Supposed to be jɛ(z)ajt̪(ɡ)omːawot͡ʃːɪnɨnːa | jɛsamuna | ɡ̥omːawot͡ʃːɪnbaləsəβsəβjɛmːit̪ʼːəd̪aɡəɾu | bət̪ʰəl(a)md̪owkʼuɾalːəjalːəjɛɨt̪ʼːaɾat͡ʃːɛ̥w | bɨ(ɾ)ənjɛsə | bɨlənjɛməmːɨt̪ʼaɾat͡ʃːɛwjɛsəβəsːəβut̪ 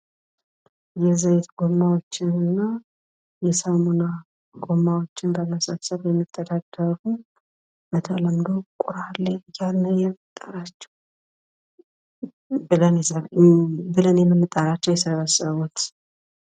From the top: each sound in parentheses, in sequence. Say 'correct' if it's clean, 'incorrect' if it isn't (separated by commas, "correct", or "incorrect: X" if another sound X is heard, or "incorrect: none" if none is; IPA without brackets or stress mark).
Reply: correct, correct, incorrect: ə, incorrect: l